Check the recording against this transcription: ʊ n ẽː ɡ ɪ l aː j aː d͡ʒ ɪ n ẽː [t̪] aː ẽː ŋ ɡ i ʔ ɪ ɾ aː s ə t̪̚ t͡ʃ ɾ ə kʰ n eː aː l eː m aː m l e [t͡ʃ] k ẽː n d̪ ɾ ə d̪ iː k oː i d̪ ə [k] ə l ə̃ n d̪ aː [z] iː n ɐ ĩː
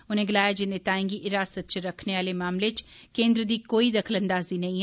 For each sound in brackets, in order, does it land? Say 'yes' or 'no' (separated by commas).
yes, yes, no, yes